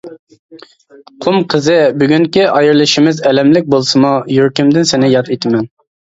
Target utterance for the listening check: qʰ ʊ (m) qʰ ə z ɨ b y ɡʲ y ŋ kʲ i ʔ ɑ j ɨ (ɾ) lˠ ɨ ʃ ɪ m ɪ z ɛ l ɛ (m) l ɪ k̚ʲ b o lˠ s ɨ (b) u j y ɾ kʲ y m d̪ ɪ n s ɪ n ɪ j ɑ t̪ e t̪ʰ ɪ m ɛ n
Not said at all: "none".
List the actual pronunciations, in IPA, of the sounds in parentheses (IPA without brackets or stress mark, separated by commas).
m, ɾ, m, m